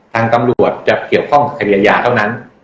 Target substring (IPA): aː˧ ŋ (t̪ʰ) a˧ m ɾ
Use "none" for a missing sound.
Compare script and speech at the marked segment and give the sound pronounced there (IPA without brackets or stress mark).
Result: t̪